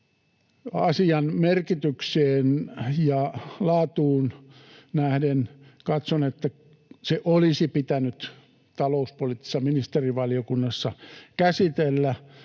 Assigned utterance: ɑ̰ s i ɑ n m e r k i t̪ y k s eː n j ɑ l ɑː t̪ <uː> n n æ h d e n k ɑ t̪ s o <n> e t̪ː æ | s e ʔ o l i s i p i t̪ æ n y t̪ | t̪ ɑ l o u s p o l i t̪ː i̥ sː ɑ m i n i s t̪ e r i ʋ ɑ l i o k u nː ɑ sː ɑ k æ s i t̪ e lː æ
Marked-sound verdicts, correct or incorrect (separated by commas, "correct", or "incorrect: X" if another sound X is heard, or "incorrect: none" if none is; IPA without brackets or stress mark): correct, correct